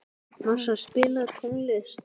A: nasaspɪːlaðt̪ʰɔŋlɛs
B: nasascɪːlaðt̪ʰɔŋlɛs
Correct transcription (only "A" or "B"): A